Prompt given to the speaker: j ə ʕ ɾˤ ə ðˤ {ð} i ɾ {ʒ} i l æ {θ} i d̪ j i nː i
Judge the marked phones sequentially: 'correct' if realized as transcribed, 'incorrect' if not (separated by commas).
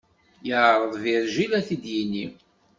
incorrect, correct, correct